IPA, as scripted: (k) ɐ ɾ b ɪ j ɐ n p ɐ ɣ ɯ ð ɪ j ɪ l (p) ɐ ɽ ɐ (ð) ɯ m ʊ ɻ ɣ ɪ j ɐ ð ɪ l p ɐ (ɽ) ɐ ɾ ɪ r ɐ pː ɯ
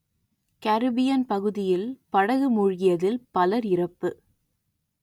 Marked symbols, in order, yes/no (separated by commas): yes, yes, no, no